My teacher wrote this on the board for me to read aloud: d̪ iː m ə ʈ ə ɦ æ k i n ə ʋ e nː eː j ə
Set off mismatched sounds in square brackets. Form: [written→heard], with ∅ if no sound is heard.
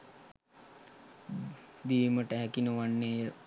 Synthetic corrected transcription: d̪ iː m ə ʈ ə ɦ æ k i n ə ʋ [e→a] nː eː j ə